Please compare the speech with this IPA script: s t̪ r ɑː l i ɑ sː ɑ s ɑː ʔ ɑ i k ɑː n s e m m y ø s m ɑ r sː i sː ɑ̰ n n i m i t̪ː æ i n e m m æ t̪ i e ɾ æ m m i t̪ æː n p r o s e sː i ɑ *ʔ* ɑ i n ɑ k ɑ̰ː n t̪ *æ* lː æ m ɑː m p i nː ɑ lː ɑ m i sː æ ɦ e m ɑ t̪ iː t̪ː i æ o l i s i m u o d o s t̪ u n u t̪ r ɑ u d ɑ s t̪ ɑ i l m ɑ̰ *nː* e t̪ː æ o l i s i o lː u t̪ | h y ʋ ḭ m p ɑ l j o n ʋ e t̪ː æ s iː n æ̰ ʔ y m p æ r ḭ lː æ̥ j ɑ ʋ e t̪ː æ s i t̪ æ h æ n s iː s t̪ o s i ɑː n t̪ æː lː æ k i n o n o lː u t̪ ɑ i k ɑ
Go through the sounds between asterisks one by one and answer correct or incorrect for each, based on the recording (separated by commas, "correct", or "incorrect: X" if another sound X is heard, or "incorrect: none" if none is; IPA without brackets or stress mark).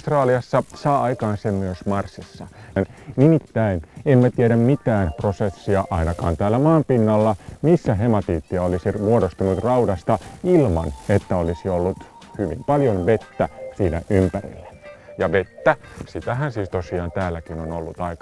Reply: correct, incorrect: æː, incorrect: n